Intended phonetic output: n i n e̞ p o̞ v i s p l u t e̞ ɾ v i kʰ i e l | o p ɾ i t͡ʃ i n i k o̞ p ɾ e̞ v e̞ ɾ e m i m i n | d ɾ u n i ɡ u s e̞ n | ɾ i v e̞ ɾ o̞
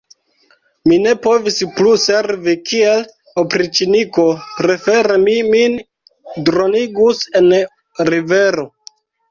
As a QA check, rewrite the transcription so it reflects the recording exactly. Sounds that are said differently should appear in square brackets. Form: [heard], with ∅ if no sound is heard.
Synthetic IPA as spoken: [m] i n e̞ p o̞ v i s p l u [s] e̞ ɾ v i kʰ i e l | o p ɾ i t͡ʃ i n i k o̞ p ɾ e̞ [f] e̞ ɾ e m i m i n | d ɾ [o] n i ɡ u s e̞ n | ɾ i v e̞ ɾ o̞